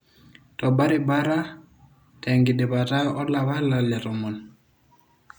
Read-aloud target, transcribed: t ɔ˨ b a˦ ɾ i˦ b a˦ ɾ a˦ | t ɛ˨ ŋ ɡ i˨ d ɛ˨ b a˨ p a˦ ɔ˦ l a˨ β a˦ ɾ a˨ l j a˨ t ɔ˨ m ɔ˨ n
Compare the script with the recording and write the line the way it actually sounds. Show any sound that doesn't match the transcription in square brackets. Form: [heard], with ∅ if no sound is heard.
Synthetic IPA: t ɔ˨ b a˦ ɾ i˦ b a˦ ɾ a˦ | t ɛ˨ ŋ ɡ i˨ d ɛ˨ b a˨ [t] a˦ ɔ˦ l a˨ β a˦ [l] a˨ l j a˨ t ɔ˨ m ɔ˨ n